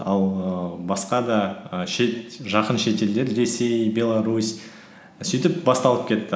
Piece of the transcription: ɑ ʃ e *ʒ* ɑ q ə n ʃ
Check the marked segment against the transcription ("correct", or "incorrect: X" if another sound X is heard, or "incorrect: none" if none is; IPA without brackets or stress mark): correct